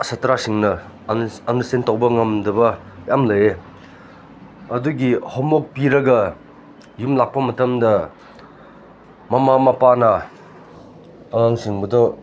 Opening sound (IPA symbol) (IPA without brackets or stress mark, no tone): s